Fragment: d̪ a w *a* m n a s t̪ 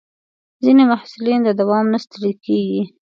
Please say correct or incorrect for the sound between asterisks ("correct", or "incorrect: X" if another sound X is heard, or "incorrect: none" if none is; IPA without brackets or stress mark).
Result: incorrect: ɑ